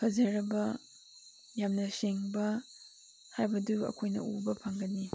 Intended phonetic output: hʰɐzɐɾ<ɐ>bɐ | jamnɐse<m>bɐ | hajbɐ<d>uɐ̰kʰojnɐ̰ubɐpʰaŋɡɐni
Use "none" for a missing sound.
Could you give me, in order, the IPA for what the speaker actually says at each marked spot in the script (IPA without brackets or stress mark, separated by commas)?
ɐ, ŋ, d